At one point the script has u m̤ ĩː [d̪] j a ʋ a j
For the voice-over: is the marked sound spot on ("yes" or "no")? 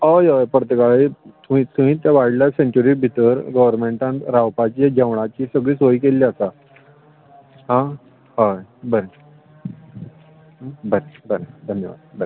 no